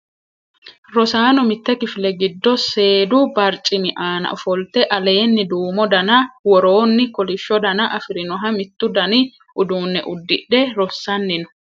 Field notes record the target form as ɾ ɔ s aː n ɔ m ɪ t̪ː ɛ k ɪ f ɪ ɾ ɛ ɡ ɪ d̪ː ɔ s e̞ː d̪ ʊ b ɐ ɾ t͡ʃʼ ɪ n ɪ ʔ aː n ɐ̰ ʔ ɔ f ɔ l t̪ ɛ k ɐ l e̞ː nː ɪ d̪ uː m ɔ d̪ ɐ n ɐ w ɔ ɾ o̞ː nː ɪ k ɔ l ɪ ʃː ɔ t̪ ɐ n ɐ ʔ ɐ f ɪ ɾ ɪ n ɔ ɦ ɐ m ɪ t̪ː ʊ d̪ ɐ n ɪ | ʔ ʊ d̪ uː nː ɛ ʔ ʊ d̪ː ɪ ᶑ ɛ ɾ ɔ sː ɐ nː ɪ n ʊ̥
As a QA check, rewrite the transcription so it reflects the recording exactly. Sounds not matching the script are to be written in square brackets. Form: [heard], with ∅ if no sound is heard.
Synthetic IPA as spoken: ɾ ɔ s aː n ɔ m ɪ t̪ː ɛ k ɪ f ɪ [l] ɛ ɡ ɪ d̪ː ɔ s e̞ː d̪ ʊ b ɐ ɾ t͡ʃʼ ɪ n ɪ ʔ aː n ɐ̰ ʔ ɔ f ɔ l t̪ ɛ [ʔ] ɐ l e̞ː nː ɪ d̪ uː m ɔ d̪ ɐ n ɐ w ɔ ɾ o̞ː nː ɪ k ɔ l ɪ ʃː ɔ [d̪] ɐ n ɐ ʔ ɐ f ɪ ɾ ɪ n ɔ ɦ ɐ m ɪ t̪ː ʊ d̪ ɐ n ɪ | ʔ ʊ d̪ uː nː ɛ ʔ ʊ d̪ː ɪ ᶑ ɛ ɾ ɔ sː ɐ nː ɪ n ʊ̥